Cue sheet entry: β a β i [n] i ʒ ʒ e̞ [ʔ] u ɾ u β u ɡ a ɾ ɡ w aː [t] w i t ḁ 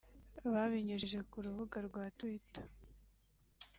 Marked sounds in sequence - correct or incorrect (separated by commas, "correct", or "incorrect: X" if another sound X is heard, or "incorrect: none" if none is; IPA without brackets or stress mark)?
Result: incorrect: ɲ, incorrect: k, correct